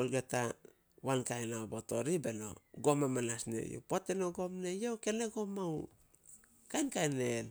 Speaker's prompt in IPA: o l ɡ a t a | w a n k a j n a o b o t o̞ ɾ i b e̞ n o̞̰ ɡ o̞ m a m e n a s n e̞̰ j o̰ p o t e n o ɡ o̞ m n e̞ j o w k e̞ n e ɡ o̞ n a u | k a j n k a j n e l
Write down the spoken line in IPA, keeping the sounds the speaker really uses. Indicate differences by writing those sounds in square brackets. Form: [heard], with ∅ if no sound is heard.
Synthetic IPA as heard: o l ɡ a t a | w a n k a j n a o b o t o̞ ɾ i b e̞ n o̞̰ ɡ o̞ m a m [a] n a s n e̞̰ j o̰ p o t e n o ɡ o̞ m n e̞ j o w k e̞ n e ɡ o̞ [m] a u | k a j n k a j n e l